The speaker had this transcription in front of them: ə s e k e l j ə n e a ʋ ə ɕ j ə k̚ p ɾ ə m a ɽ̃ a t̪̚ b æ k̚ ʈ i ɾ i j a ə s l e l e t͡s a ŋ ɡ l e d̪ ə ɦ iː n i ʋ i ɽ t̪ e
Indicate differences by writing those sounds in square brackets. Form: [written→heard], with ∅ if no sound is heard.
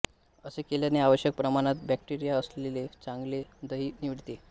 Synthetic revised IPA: ə s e k e l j [ə→a] n e a ʋ ə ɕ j ə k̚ p ɾ ə m a ɽ̃ a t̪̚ b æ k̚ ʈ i ɾ i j a ə s l e l e t͡s a ŋ ɡ l e d̪ ə ɦ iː n i ʋ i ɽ t̪ e